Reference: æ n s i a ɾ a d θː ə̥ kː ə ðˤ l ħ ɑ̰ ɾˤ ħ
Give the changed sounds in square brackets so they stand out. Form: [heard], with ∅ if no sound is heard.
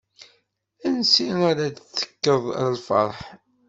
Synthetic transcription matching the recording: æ n s i a ɾ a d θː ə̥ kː ə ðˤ l [f] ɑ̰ ɾˤ ħ